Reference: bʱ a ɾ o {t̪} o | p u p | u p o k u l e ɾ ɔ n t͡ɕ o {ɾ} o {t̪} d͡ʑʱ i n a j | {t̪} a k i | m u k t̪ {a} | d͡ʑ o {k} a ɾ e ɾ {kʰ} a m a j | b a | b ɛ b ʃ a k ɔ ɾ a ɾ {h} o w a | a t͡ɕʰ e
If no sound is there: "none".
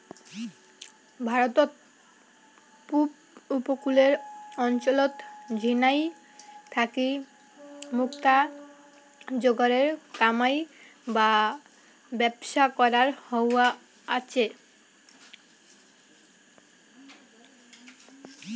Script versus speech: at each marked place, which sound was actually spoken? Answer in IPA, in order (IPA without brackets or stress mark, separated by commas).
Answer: t̪, l, t̪, t̪ʰ, a, ɡ, k, h